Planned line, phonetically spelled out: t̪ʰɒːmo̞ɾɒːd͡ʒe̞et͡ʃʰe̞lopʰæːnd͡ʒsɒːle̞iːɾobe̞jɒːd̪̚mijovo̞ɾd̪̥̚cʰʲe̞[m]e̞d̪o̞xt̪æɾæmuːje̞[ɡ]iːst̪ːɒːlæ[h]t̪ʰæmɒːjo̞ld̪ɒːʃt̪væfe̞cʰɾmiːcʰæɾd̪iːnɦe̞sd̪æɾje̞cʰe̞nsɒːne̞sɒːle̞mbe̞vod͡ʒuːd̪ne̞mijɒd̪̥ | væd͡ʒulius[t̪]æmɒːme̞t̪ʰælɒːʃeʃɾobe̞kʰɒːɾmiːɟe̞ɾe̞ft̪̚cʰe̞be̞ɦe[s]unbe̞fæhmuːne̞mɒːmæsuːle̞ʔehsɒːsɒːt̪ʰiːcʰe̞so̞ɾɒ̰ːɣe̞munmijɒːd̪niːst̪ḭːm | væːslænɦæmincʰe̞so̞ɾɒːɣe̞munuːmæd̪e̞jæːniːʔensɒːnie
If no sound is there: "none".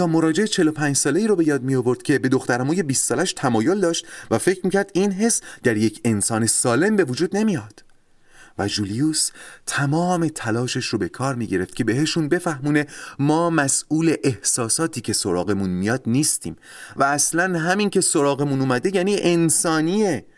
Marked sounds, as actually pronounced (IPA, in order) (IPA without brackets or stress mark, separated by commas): b, b, ʃ, t̪ʰ, ʃ